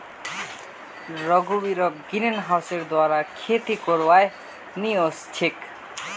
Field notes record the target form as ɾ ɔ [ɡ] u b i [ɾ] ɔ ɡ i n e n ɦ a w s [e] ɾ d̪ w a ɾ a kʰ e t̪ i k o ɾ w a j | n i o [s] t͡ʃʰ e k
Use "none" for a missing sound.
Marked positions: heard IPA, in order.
ɡ, ɾ, e, s

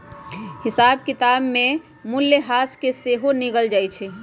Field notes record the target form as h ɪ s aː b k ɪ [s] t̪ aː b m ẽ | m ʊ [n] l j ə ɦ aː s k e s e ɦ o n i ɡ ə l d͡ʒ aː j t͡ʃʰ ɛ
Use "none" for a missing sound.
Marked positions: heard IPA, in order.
none, none

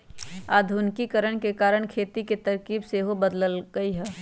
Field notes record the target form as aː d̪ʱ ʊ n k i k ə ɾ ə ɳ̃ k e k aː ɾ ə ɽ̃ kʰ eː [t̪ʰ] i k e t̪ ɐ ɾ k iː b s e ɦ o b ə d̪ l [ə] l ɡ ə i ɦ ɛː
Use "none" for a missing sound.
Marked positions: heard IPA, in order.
t̪, ə

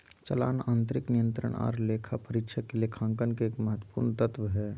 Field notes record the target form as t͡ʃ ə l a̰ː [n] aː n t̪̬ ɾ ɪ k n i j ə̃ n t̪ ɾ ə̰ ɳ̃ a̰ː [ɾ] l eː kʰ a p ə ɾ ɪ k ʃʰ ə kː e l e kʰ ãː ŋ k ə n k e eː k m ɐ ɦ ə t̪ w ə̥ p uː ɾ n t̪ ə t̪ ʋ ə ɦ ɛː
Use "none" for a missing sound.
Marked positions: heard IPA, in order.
n, ɾ

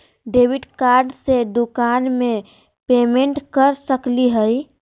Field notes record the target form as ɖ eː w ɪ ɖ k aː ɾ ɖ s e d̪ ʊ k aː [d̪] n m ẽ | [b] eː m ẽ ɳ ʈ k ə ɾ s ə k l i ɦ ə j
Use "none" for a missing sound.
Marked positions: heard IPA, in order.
none, p

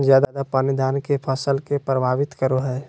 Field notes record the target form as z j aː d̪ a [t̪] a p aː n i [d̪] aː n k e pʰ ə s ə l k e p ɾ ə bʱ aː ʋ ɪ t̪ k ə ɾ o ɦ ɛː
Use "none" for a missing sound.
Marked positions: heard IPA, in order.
d̪, d̪

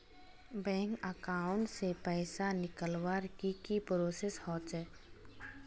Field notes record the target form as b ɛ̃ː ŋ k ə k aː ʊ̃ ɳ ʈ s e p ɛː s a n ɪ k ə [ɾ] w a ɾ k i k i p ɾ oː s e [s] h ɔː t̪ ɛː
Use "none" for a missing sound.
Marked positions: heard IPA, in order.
l, s

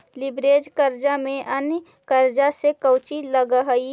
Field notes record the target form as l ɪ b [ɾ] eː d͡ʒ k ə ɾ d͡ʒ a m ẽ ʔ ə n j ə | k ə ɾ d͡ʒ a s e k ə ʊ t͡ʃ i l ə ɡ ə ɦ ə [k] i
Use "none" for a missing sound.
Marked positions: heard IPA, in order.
ɾ, none

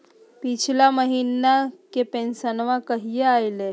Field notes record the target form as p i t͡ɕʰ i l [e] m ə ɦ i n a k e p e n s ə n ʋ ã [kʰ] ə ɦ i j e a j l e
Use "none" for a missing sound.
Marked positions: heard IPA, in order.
a, k

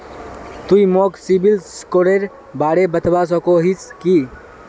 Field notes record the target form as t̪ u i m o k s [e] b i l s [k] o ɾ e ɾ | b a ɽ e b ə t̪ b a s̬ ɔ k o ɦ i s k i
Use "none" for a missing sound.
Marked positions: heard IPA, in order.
i, k

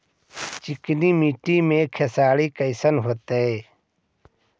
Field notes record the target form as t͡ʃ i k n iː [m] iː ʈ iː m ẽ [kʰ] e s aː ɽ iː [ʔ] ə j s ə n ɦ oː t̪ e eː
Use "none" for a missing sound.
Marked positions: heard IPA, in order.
m, kʰ, k

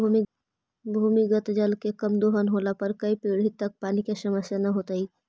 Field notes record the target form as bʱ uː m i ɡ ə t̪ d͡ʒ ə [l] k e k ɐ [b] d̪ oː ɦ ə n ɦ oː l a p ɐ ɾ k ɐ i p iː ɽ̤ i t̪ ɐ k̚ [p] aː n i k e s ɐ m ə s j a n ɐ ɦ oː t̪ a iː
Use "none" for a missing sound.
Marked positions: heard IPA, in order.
l, m, p

